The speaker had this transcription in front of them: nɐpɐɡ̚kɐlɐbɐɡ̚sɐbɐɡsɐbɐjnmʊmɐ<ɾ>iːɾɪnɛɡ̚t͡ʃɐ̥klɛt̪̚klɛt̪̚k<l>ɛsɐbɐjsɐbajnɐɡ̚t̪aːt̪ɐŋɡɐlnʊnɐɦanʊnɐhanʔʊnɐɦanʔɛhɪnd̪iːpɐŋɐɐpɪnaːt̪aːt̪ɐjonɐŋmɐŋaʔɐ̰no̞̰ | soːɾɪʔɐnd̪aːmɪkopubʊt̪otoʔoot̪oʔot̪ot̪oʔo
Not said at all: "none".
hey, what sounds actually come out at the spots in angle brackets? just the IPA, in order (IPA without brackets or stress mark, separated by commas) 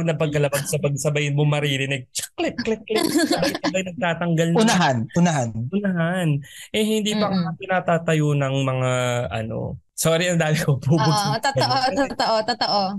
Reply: ɾ, l